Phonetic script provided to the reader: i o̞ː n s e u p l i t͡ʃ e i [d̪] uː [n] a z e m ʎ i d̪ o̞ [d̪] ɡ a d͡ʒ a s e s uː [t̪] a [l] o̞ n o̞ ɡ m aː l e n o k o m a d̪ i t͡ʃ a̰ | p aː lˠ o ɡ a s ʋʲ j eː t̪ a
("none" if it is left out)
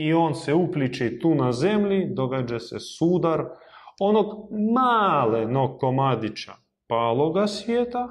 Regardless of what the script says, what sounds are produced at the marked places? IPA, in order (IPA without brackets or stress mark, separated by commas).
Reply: t̪, n, none, d̪, ɾ